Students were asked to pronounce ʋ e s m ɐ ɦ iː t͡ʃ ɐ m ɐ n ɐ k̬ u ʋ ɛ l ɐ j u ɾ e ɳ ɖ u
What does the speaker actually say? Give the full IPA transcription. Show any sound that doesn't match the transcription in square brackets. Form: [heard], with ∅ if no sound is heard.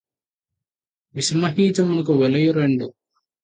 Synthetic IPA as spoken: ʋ [i] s m ɐ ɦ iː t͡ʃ ɐ m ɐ n ɐ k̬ u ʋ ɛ l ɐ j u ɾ e ɳ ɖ u